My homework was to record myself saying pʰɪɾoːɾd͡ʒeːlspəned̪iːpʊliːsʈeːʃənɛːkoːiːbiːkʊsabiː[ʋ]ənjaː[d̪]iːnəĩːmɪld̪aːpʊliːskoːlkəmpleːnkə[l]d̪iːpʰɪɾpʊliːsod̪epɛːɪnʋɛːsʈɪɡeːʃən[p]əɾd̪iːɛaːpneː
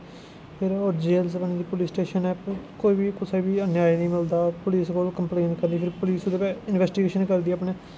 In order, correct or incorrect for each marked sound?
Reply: incorrect, incorrect, incorrect, incorrect

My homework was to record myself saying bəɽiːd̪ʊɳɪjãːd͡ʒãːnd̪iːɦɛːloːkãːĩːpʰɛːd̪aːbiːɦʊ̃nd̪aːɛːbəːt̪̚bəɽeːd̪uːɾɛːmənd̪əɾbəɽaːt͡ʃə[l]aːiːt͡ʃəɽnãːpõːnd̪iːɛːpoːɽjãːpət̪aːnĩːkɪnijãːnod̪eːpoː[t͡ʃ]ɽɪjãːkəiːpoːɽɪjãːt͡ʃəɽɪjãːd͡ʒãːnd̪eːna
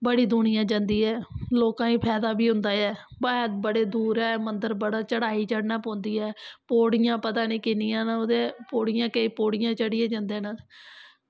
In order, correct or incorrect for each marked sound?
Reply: incorrect, incorrect

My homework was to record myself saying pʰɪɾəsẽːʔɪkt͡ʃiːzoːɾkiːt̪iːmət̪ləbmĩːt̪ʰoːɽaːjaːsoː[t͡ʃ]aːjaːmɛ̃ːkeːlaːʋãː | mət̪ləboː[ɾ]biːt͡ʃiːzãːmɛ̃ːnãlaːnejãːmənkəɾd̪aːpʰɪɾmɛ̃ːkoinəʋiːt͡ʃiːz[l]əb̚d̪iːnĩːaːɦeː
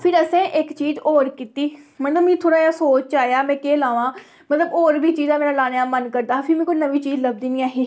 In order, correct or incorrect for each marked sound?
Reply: correct, correct, correct

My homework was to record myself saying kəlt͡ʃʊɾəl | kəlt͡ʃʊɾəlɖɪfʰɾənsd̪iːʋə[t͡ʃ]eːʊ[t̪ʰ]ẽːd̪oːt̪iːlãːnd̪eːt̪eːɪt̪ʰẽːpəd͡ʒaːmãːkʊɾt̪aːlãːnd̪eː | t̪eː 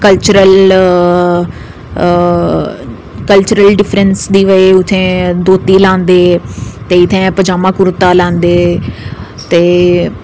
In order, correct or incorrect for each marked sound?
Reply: incorrect, correct

